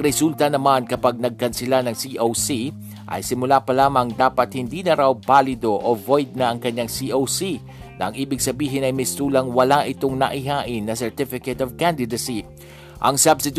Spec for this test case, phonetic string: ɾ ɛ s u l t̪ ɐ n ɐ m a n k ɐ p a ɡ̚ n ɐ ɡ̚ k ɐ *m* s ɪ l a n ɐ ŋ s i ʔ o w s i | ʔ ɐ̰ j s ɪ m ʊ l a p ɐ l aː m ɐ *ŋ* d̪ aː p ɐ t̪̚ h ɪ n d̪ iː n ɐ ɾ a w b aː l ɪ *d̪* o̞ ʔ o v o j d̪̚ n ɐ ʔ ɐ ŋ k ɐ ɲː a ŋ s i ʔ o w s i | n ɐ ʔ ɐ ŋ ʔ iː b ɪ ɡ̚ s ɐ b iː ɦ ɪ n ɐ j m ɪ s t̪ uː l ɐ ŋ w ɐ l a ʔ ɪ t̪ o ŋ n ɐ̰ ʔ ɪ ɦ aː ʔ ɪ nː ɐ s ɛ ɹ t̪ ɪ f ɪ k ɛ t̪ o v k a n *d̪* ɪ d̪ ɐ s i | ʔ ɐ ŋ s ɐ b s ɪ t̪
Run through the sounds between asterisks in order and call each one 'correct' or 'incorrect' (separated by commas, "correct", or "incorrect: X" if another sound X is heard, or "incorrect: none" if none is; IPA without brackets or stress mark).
incorrect: n, correct, correct, correct